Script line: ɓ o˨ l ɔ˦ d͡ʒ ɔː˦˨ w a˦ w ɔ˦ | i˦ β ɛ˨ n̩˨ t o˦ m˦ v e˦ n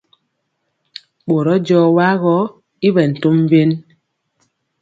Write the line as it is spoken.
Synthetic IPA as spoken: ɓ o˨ ɾ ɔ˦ d͡ʒ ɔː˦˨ w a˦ ɣ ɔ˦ | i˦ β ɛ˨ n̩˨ t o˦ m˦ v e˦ n